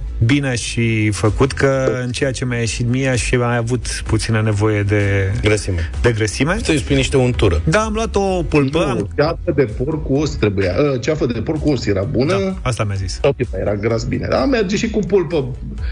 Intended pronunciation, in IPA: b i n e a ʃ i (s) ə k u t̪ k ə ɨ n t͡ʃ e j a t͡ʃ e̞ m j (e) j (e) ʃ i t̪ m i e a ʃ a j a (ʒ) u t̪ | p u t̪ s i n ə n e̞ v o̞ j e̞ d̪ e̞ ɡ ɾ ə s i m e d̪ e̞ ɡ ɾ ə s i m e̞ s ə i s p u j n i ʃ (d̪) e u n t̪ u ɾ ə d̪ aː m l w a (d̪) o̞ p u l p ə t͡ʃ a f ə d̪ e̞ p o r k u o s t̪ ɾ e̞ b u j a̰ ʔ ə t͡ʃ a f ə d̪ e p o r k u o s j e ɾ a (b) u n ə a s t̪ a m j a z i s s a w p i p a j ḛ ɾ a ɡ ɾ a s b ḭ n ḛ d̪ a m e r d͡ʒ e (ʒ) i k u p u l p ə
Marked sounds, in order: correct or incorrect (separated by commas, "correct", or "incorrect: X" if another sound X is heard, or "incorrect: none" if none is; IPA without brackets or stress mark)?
incorrect: f, incorrect: a, correct, incorrect: v, incorrect: t̪, incorrect: t̪, correct, incorrect: ʃ